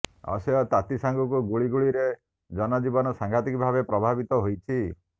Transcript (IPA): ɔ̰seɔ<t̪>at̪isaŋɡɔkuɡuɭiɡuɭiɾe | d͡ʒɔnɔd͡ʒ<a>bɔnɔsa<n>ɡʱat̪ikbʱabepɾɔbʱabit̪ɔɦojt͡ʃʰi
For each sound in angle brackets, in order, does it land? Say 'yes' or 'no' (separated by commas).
yes, no, no